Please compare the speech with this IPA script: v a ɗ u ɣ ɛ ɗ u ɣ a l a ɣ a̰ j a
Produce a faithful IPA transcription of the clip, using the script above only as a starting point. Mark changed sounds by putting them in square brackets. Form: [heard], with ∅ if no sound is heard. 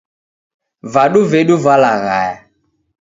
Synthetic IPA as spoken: v a ɗ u [v] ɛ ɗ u [v] a l a ɣ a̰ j a

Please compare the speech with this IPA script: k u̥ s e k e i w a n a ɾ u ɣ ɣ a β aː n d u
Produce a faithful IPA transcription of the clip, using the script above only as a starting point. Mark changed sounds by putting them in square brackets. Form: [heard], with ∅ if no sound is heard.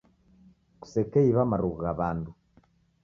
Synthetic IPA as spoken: k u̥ s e k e i [β] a [m] a ɾ u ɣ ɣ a β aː n d u

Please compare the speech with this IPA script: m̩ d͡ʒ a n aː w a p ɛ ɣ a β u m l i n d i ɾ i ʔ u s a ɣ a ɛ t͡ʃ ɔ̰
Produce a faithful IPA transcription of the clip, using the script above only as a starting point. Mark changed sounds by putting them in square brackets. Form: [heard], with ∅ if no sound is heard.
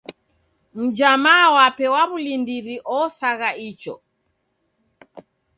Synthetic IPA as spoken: m̩ d͡ʒ a [m] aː w a p ɛ [w] a β u [∅] l i n d i ɾ i ʔ [ɔ] s a ɣ a [i] t͡ʃ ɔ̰

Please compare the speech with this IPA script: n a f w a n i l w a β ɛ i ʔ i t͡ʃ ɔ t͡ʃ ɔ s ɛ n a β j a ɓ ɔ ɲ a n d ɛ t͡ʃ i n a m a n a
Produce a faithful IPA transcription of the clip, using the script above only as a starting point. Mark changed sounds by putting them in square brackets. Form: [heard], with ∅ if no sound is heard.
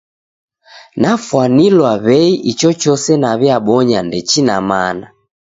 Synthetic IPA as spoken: n a f w a n i l w a β ɛ i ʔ i t͡ʃ ɔ t͡ʃ ɔ s ɛ n a β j a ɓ ɔ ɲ a n d ɛ t͡ʃ i n a m a n a

